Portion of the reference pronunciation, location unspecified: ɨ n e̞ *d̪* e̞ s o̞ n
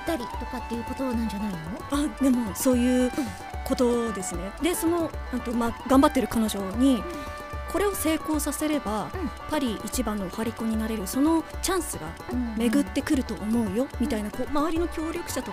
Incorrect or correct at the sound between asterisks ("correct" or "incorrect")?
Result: correct